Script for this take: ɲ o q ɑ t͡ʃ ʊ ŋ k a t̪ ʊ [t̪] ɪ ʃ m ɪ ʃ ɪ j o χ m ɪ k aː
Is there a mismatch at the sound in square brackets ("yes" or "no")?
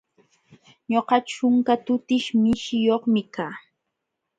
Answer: no